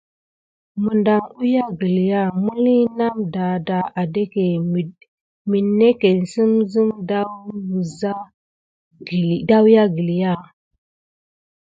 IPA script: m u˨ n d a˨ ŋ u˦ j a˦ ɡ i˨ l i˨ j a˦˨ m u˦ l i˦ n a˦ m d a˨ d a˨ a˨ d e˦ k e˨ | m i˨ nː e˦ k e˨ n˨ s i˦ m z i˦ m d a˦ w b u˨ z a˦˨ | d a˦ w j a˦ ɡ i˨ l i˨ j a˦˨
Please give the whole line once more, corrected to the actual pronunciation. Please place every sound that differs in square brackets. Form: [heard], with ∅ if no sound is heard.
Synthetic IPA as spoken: m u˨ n d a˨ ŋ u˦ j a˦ ɡ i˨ l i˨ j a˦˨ m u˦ l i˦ n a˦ m d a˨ d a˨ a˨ d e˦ k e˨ | m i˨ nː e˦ k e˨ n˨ s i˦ m z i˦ m d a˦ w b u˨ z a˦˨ | d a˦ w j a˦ ɡ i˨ l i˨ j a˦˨